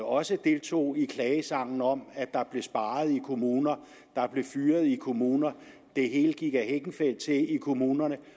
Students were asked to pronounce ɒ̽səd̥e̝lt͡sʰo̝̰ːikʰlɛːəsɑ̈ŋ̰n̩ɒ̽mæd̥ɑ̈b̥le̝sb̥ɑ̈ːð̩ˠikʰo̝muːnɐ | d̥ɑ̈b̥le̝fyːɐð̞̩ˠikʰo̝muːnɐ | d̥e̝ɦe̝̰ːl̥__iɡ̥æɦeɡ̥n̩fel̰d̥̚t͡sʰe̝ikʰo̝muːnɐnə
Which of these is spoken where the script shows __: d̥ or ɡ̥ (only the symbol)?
ɡ̥